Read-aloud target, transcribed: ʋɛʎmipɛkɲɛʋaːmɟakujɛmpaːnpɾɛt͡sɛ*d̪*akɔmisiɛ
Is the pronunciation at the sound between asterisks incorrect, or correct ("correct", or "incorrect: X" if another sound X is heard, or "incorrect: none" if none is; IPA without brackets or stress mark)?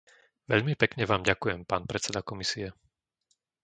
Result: correct